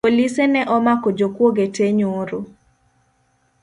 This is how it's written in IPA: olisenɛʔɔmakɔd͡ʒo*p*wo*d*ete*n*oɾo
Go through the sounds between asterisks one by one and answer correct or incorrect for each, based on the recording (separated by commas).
incorrect, incorrect, incorrect